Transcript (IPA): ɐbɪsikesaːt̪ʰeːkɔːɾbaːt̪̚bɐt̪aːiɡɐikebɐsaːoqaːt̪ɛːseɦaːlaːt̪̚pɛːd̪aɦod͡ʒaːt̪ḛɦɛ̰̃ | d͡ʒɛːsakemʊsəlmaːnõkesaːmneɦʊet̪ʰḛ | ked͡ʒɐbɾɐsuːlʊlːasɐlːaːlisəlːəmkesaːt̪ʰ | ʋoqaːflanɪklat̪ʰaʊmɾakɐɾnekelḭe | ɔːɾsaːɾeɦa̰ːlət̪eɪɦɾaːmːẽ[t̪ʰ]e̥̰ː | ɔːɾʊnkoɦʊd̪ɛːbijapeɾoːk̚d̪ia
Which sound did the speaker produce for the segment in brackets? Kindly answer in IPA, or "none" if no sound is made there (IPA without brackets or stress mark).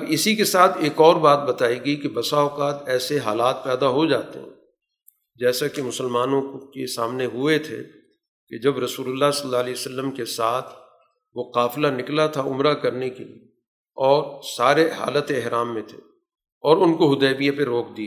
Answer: t̪ʰ